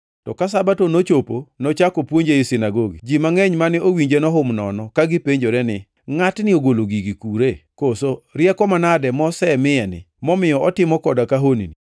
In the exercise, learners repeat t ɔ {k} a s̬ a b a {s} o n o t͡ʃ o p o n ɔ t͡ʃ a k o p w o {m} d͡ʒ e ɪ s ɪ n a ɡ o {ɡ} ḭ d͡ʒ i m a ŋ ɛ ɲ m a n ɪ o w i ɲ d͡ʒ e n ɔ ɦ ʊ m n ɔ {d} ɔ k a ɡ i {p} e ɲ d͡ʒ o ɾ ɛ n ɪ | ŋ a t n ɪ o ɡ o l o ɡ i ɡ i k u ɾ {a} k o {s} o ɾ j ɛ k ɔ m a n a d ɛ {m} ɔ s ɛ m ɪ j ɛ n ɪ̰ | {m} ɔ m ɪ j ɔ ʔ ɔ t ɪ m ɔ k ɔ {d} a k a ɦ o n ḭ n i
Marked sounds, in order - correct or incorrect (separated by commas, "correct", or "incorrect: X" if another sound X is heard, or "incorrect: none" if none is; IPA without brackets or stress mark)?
correct, incorrect: t, incorrect: ɲ, correct, incorrect: n, correct, incorrect: e, correct, correct, correct, correct